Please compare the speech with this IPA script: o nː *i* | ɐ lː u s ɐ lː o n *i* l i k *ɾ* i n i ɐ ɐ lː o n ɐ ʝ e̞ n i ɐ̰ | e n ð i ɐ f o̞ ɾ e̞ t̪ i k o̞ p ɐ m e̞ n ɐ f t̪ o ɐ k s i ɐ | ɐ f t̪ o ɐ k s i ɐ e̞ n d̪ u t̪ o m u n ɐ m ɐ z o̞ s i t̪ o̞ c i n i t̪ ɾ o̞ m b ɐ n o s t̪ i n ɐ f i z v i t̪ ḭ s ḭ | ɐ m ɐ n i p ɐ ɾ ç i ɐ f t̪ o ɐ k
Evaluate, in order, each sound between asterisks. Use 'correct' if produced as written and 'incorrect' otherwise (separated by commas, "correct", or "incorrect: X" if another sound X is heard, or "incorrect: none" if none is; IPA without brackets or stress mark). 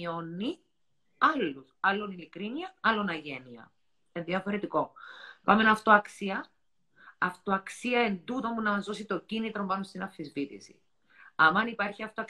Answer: correct, correct, correct